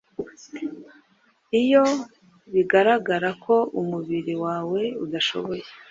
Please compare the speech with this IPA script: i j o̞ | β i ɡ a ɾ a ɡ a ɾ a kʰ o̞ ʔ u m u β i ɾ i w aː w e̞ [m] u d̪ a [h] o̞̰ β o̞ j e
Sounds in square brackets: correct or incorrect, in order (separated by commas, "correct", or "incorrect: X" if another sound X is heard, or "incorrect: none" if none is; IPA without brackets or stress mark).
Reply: incorrect: none, incorrect: ʃ